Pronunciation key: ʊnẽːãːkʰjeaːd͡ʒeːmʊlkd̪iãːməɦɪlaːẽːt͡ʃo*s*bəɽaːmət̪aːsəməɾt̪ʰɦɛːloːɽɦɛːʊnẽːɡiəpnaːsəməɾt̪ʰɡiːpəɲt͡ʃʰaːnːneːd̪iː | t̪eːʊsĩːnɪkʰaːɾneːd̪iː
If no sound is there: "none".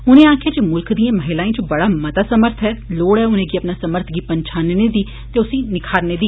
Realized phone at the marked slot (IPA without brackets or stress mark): none